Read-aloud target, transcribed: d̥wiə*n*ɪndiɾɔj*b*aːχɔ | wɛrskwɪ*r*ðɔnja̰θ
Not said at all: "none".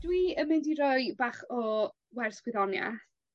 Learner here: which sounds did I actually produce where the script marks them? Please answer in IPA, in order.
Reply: m, b, none

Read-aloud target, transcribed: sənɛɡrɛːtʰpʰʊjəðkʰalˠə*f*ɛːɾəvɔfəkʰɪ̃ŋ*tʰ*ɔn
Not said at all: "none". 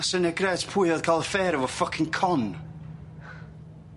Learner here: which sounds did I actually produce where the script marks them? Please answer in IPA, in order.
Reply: f, kʰ

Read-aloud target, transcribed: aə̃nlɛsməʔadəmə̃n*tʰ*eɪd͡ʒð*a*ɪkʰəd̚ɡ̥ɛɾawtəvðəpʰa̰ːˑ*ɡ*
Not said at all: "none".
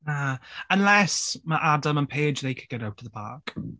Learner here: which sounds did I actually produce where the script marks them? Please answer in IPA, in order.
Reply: pʰ, e, k

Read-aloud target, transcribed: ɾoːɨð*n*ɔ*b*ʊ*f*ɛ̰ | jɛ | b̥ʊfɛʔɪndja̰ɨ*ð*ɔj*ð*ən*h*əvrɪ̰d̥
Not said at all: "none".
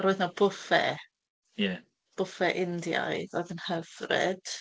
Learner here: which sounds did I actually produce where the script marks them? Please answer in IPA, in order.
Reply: n, b, f, ð, ð, h

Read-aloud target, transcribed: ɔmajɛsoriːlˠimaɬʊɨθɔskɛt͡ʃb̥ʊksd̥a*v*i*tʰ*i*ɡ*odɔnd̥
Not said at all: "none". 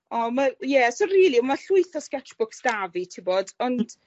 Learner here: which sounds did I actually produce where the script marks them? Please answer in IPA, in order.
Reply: v, tʰ, b

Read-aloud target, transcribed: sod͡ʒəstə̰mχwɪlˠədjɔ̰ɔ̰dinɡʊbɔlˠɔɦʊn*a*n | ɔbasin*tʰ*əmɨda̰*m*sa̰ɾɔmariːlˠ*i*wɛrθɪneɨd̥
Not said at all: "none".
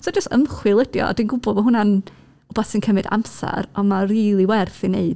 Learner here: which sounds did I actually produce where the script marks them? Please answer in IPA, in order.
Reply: a, kʰ, m, i

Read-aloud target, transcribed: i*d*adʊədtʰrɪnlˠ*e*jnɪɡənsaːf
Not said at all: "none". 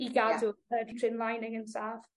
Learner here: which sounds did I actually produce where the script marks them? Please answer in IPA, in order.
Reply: ɡ, a

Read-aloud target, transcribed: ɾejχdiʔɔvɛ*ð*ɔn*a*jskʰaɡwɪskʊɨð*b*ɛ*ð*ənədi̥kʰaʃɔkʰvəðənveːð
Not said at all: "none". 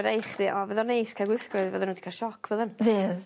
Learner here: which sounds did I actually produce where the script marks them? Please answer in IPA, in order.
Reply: ð, e, v, ð

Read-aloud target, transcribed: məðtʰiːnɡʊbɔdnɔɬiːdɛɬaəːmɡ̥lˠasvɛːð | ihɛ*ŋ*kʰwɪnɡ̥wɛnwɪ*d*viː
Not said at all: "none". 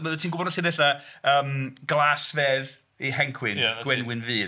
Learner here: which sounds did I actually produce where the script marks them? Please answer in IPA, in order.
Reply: ŋ, n

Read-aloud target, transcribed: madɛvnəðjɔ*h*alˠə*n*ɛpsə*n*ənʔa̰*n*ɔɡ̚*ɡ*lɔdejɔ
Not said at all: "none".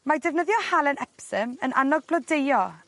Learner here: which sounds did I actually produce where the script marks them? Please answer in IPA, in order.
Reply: h, n, m, n, b

